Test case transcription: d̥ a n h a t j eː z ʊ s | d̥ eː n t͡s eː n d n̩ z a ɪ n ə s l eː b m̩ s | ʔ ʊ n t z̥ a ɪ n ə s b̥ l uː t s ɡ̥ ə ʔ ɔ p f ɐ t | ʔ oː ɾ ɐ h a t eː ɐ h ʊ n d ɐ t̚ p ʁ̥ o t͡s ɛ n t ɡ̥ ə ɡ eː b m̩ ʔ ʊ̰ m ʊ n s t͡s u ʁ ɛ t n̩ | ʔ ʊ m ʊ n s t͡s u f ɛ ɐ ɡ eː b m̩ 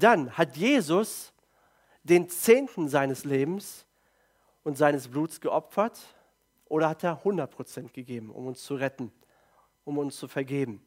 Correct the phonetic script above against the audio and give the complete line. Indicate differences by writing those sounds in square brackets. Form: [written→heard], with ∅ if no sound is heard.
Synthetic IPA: d̥ a n h a t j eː z ʊ s | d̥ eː n t͡s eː n [d→t] n̩ z a ɪ n ə s l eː b m̩ s | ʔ ʊ n t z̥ a ɪ n ə s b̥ l uː t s ɡ̥ ə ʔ ɔ p f ɐ t | ʔ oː ɾ ɐ h a t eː ɐ h ʊ n d ɐ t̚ p ʁ̥ o t͡s ɛ n t ɡ̥ ə ɡ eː b m̩ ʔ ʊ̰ m ʊ n s t͡s u ʁ ɛ t n̩ | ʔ ʊ m ʊ n s t͡s u f ɛ ɐ ɡ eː b m̩